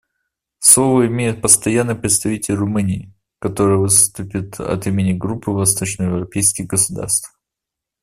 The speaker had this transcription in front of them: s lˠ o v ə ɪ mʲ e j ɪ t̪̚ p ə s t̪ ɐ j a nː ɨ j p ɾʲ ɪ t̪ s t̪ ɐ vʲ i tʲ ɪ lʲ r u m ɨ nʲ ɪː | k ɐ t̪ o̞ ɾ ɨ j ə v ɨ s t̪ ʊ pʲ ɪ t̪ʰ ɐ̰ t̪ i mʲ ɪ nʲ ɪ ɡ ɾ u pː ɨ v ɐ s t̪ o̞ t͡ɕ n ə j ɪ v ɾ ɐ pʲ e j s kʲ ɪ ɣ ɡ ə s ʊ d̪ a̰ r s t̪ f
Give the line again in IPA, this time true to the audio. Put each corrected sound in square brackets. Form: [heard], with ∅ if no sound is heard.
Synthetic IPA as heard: s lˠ o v ə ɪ mʲ e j ɪ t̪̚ p ə s t̪ ɐ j a nː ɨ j p ɾʲ ɪ t̪ s t̪ ɐ vʲ i tʲ ɪ lʲ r [ʊ] m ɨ nʲ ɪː | k ɐ t̪ o̞ ɾ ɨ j ə v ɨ s t̪ ʊ pʲ ɪ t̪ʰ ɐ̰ t̪ i mʲ ɪ nʲ ɪ ɡ ɾ u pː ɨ v ɐ s t̪ o̞ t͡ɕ n ə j ɪ v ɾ ɐ pʲ e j s kʲ ɪ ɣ ɡ ə s ʊ d̪ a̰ r s t̪ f